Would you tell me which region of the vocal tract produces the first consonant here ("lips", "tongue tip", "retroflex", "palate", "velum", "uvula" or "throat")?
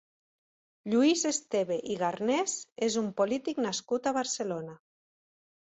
palate